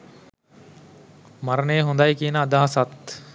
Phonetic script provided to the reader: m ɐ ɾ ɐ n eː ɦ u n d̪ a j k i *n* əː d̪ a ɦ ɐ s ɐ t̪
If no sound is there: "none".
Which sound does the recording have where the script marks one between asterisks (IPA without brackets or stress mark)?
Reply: n